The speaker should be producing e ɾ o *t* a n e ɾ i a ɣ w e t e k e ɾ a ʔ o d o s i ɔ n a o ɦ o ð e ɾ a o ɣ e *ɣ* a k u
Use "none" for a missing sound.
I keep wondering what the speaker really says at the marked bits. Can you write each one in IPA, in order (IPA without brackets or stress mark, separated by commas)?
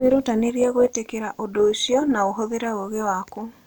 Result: t, w